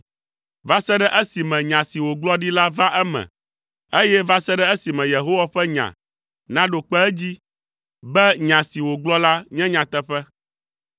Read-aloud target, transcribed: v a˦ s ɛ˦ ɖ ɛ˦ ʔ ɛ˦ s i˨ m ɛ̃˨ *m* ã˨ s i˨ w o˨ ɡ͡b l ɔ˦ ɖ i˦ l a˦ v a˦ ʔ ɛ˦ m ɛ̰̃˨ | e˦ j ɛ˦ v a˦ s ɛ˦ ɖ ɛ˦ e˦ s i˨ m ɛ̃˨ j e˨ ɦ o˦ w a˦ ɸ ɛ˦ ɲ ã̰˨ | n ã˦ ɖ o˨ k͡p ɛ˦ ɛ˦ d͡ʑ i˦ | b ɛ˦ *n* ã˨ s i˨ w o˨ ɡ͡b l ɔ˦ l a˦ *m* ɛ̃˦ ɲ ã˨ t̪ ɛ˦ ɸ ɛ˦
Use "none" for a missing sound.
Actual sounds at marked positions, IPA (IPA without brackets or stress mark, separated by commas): ɲ, ɲ, ɲ